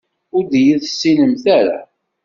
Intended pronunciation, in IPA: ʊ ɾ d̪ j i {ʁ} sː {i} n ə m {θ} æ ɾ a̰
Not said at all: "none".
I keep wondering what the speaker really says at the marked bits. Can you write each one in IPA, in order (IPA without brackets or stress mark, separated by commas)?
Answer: ð, i, θ